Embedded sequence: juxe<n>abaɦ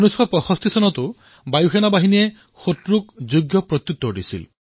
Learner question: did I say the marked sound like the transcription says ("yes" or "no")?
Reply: yes